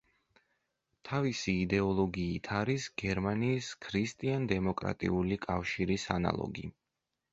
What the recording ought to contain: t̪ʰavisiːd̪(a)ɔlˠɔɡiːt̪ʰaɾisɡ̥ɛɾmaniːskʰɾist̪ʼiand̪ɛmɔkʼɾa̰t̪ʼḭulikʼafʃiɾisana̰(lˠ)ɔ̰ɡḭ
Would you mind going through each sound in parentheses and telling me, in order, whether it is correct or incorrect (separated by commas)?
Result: incorrect, correct